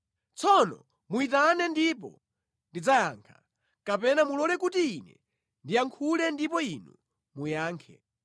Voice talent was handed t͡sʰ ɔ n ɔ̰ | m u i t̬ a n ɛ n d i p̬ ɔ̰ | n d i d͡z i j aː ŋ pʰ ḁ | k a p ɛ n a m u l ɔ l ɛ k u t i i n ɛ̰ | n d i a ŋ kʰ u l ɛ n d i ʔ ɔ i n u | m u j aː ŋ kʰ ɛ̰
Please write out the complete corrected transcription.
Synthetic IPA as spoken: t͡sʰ ɔ n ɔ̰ | m u i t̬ a n ɛ n d i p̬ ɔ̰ | n d i d͡z a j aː ŋ kʰ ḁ | k a p ɛ n a m u l ɔ l ɛ k u t i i n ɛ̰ | n d i a ŋ kʰ u l ɛ n d i p ɔ i n u | m u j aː ŋ kʰ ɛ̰